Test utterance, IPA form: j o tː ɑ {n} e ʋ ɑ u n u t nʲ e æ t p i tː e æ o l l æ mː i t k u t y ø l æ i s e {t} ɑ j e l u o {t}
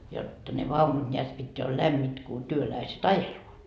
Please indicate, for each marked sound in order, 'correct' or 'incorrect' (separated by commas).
correct, correct, correct